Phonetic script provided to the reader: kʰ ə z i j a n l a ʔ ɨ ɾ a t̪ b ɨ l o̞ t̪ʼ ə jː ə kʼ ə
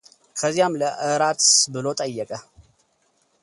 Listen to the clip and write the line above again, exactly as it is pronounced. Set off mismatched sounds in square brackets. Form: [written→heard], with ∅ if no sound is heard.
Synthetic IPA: kʰ ə z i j a [n→m] l [a→ə] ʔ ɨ ɾ a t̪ b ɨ l o̞ t̪ʼ ə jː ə kʼ ə